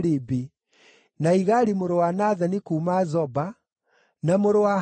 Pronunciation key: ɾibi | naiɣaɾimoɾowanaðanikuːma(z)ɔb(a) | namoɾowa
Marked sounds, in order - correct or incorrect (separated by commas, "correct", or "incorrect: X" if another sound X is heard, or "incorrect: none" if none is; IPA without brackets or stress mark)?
correct, correct